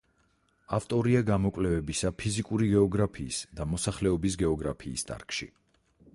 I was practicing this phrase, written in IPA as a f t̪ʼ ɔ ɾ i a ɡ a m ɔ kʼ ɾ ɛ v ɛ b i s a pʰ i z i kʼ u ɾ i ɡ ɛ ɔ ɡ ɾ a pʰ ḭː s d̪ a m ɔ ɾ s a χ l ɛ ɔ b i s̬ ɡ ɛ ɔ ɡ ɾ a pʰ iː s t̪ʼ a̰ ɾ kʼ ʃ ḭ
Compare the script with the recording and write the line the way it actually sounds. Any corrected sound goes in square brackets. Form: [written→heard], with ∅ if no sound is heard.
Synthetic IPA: a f t̪ʼ ɔ ɾ i a ɡ a m ɔ kʼ [ɾ→l] ɛ v ɛ b i s a pʰ i z i kʼ u ɾ i ɡ ɛ ɔ ɡ ɾ a pʰ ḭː s d̪ a m ɔ [ɾ→∅] s a χ l ɛ ɔ b i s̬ ɡ ɛ ɔ ɡ ɾ a pʰ iː s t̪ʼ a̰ ɾ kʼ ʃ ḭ